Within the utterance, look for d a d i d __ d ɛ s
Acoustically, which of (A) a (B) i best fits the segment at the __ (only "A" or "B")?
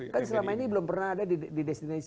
B